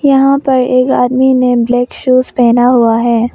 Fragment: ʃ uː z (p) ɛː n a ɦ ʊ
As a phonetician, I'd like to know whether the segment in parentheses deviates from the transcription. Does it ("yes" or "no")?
no